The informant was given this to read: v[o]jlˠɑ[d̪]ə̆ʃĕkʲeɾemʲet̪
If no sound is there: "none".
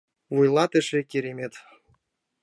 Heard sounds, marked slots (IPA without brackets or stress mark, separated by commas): u, t̪